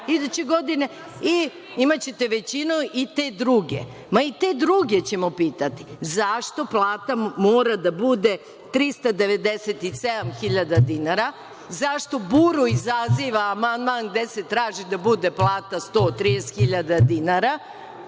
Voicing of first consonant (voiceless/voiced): voiced